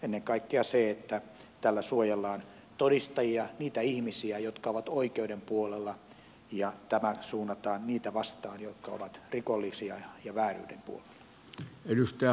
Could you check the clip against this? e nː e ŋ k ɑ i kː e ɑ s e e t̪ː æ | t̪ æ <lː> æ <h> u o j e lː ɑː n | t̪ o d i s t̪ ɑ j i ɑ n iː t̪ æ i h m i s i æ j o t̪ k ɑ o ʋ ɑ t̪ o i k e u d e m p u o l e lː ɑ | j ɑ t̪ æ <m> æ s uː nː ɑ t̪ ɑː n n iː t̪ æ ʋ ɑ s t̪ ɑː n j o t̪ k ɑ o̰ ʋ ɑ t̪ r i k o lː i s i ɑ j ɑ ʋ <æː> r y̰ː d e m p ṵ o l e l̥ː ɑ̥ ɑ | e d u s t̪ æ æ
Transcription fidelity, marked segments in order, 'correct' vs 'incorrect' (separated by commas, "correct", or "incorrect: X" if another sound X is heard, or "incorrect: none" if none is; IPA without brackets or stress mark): correct, incorrect: s, correct, correct